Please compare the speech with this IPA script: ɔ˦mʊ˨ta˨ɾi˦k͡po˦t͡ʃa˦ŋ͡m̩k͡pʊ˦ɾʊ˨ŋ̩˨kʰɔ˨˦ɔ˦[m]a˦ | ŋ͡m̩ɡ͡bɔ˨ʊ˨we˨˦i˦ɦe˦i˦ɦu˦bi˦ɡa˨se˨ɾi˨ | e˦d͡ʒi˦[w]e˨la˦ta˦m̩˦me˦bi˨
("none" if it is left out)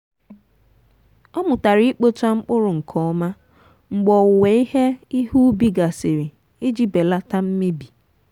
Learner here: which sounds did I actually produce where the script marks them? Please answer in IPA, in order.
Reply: m, b

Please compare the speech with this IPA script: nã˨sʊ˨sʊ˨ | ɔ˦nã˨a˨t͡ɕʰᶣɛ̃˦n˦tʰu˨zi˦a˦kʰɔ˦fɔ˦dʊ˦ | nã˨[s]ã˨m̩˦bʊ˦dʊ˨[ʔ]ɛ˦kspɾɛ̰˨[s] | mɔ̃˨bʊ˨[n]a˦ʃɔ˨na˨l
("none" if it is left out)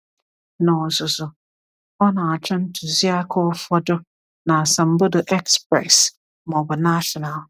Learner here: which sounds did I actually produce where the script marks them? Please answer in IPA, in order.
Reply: s, ʔ, s, n

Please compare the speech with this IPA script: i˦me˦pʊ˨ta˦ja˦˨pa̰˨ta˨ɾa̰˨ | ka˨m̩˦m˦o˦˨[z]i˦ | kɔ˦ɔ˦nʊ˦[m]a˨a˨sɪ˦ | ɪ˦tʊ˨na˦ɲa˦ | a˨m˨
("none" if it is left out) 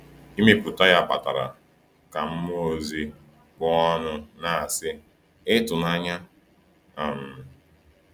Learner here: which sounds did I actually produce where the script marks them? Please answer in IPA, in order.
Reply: z, n

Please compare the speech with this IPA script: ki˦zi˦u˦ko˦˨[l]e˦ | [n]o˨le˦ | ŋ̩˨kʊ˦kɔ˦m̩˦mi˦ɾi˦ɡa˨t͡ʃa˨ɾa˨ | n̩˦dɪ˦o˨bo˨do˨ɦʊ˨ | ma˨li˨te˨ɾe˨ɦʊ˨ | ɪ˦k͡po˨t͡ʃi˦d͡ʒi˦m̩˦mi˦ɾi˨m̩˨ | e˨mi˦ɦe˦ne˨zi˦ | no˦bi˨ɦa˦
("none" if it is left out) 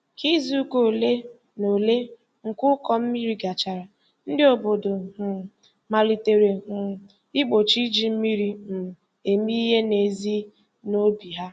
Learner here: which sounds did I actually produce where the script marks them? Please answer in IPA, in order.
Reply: l, n

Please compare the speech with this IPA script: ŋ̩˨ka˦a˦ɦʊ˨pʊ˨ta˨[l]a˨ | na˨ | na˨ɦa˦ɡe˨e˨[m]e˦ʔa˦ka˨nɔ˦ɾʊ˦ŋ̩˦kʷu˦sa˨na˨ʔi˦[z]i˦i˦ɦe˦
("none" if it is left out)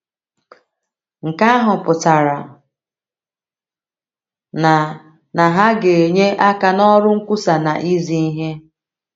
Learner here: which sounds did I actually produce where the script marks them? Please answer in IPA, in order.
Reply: ɾ, ɲ, z

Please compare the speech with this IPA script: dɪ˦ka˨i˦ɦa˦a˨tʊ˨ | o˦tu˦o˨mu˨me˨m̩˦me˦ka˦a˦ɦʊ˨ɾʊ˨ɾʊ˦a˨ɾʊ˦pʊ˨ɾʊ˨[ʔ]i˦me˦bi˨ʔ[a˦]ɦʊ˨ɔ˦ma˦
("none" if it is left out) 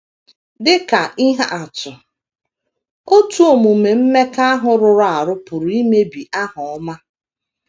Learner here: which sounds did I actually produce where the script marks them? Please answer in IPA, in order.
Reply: none, a˦

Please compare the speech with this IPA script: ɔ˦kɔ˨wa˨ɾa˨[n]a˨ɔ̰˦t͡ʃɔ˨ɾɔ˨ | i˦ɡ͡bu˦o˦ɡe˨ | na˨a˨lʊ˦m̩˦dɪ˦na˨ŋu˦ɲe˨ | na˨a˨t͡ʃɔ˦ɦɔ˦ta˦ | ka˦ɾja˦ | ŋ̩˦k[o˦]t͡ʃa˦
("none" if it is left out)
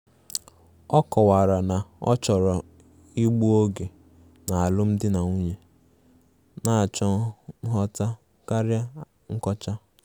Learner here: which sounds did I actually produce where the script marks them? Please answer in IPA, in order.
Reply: n, ɔ˦

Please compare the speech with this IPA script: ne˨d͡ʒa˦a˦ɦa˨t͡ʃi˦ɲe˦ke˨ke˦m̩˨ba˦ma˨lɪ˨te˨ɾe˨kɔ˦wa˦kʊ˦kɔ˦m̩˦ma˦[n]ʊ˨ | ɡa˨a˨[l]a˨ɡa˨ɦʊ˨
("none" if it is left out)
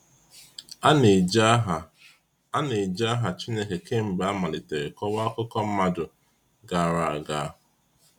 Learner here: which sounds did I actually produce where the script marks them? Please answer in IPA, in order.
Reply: d, ɾ

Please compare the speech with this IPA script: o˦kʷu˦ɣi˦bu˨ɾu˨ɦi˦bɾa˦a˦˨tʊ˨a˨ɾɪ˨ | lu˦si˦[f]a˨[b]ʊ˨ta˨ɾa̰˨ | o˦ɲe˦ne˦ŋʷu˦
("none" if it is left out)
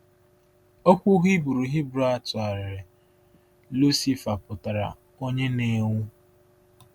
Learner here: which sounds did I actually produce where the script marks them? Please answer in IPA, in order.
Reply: f, p

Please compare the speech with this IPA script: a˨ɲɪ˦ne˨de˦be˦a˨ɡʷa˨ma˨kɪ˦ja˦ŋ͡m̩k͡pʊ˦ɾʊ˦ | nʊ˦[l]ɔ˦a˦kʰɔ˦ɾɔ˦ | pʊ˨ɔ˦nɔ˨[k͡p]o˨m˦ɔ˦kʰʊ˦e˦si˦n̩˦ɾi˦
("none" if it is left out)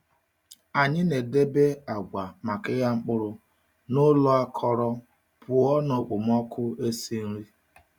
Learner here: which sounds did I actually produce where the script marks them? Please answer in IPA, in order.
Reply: l, k͡p

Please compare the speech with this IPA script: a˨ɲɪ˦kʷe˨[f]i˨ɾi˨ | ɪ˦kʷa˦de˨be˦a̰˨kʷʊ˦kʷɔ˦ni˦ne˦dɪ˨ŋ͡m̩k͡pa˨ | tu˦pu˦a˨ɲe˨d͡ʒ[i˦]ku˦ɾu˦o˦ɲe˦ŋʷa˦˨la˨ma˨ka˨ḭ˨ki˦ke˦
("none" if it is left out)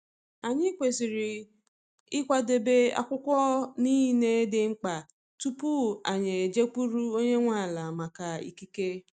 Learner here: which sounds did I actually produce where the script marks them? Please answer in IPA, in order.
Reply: s, e˦

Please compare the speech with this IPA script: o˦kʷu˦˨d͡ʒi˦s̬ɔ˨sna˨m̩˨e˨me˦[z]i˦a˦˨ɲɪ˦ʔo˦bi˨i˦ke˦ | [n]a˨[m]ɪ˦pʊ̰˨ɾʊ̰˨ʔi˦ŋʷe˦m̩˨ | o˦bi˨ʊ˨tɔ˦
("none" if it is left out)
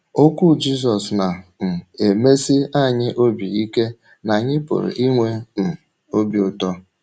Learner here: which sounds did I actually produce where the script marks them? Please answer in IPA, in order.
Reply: s, n, ɲ

